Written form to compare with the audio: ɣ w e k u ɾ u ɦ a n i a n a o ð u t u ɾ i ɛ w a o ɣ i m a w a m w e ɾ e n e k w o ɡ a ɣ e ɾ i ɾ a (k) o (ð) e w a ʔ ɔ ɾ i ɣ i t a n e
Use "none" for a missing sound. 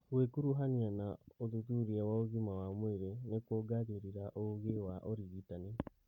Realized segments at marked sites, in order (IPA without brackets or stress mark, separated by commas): ʔ, ɣ